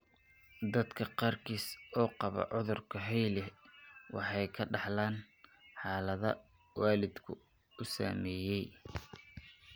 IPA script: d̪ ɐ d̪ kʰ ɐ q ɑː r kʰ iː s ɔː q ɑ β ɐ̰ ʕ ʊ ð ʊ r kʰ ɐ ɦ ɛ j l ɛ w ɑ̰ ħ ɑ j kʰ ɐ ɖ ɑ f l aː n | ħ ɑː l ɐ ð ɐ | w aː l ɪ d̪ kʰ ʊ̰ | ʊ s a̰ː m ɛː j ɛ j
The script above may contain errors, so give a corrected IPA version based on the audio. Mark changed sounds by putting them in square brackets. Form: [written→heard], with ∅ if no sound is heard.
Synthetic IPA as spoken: d̪ ɐ d̪ kʰ ɐ q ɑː r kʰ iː s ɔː q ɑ β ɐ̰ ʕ ʊ ð ʊ r kʰ ɐ ɦ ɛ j l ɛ w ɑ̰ ħ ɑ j kʰ ɐ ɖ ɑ [f→ħ] l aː n | ħ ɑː l ɐ ð ɐ | w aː l ɪ d̪ kʰ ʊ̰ | ʊ s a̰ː m ɛː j ɛ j